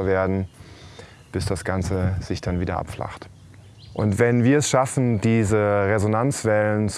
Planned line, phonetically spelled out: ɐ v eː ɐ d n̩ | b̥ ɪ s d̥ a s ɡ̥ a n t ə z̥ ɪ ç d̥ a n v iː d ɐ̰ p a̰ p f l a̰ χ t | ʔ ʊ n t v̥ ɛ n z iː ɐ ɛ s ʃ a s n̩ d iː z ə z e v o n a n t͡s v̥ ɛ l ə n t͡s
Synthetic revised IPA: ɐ v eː ɐ d n̩ | b̥ ɪ s d̥ a s ɡ̥ a n t͡s ə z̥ ɪ ç d̥ a n v iː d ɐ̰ ʔ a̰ p f l a̰ χ t | ʔ ʊ n t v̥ ɛ n v iː ɐ ɛ s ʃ a f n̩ d iː z ə ʁ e z o n a n t͡s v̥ ɛ l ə n t͡s